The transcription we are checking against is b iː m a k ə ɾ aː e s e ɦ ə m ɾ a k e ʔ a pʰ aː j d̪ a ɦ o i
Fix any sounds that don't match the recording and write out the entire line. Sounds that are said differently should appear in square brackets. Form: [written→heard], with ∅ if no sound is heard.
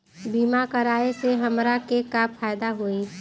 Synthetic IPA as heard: b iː m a k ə ɾ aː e s e ɦ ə m ɾ a k e [ʔ→k] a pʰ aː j d̪ a ɦ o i